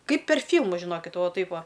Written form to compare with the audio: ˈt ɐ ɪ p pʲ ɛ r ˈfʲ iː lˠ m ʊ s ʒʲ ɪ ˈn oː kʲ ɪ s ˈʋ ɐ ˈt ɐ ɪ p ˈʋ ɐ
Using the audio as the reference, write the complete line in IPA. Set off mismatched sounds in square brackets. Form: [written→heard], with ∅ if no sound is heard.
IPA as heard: [ˈt→ˈk] ɐ ɪ p pʲ ɛ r ˈfʲ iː lˠ m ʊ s ʒʲ ɪ ˈn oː kʲ ɪ [s→t] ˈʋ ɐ ˈt ɐ ɪ p ˈʋ ɐ